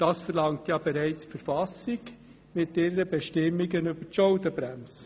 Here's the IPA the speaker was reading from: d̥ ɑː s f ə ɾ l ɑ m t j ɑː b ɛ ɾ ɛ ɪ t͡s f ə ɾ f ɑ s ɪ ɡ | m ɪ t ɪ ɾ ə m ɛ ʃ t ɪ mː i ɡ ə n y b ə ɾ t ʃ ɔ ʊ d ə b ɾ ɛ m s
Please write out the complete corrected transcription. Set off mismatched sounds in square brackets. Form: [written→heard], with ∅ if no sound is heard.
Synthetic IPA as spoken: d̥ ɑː s f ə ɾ l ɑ [m→ŋ] t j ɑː b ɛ ɾ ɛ ɪ t͡s f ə ɾ f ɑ s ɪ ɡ | m ɪ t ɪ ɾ ə [m→b] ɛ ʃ t ɪ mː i ɡ ə n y b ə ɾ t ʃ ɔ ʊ d ə b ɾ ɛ m s